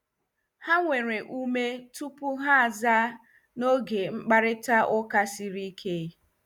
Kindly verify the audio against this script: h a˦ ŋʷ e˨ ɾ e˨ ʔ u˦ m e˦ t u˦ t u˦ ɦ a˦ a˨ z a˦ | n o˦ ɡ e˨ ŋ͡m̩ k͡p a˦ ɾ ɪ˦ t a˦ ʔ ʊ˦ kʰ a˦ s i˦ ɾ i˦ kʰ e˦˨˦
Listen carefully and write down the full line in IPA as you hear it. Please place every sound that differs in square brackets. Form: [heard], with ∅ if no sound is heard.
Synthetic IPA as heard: h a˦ ŋʷ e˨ ɾ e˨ ʔ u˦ m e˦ t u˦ [p] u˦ ɦ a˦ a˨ z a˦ | n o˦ ɡ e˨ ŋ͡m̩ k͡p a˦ ɾ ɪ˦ t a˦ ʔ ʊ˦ [k] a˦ s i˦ ɾ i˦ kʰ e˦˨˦